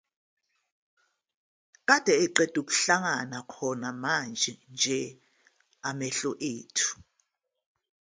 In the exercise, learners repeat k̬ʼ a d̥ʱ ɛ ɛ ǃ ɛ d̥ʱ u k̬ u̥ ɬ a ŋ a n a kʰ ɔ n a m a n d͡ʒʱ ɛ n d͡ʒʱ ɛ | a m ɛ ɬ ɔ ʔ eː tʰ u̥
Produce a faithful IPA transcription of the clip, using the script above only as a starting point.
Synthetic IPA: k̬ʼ a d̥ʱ ɛ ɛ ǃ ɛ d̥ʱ u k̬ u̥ ɬ a ŋ a n a kʰ ɔ n a m a n d͡ʒʱ ɛ n d͡ʒʱ ɛ | a m ɛ ɬ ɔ ʔ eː tʰ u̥